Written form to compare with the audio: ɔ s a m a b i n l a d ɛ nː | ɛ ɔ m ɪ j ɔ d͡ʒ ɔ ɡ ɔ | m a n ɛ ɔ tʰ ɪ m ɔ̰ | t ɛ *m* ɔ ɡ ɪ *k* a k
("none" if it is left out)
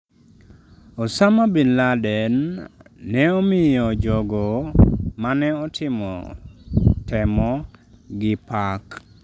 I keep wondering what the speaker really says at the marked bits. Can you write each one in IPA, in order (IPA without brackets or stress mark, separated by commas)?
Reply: m, p